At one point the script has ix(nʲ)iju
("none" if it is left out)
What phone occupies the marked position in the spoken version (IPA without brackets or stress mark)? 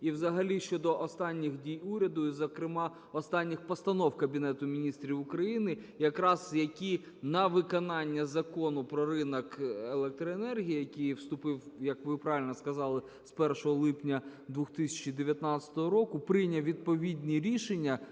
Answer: dʲ